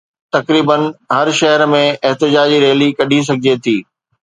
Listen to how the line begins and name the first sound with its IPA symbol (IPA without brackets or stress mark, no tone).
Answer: t̪